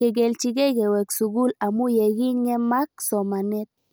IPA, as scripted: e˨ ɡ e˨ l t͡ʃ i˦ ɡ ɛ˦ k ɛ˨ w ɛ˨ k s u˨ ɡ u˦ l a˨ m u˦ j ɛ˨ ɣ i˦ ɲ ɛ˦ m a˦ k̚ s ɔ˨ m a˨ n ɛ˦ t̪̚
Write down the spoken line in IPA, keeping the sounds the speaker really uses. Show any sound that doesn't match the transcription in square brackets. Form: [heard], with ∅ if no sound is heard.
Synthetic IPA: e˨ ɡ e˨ l t͡ʃ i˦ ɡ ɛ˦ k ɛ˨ w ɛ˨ k s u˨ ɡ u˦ l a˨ m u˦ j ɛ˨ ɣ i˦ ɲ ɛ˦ m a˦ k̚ s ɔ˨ m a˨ n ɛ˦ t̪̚